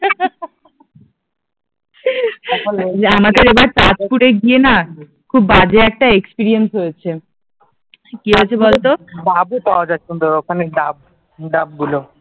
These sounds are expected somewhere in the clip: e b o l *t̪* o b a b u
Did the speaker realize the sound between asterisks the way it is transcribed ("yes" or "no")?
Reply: yes